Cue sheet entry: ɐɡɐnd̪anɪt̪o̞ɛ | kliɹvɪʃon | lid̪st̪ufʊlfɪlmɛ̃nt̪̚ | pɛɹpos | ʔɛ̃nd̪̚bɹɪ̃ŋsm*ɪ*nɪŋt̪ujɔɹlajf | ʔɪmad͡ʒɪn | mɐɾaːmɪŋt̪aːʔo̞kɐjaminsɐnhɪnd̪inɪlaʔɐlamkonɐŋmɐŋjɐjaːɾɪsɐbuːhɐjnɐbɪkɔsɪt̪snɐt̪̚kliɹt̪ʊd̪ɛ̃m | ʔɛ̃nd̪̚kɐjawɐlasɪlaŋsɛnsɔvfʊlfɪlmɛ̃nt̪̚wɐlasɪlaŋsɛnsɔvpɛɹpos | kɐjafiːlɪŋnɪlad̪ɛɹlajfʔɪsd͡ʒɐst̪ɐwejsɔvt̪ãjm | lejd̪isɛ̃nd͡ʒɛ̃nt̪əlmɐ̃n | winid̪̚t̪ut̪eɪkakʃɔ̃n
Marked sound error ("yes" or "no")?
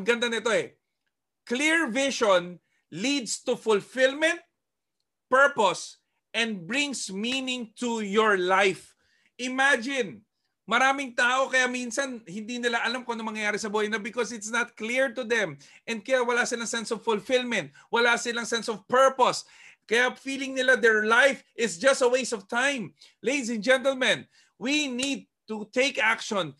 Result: yes